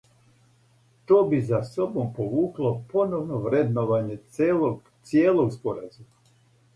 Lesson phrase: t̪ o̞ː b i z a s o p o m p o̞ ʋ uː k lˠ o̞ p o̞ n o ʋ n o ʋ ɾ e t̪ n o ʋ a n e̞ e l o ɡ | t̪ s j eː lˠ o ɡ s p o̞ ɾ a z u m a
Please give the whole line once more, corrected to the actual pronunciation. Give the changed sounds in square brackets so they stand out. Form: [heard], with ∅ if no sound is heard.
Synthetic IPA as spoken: t̪ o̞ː b i z a s o [b] o m p o̞ ʋ uː k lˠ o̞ p o̞ n o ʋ n o ʋ ɾ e [d̪] n o ʋ a [ɲ] e̞ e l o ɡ | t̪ s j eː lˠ o ɡ s p o̞ ɾ a z u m a